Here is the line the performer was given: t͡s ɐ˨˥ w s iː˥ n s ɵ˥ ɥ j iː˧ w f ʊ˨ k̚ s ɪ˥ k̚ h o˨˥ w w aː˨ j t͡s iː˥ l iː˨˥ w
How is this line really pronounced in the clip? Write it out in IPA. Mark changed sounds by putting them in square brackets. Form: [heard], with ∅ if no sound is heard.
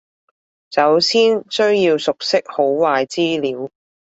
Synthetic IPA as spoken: t͡s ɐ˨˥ w s iː˥ n s ɵ˥ ɥ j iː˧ w [s] ʊ˨ k̚ s ɪ˥ k̚ h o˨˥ w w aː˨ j t͡s iː˥ l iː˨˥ w